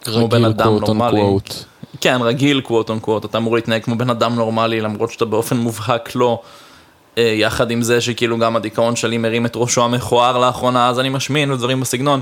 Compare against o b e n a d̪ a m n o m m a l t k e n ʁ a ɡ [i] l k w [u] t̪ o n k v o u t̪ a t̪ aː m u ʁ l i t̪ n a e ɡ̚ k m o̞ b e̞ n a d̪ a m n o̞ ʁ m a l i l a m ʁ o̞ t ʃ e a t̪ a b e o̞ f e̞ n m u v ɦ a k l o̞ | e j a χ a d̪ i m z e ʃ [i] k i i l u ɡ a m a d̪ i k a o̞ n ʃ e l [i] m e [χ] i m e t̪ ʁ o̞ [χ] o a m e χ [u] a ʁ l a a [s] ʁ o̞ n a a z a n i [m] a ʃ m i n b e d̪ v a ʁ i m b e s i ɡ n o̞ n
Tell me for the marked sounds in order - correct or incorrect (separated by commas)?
correct, incorrect, incorrect, correct, incorrect, incorrect, incorrect, incorrect, correct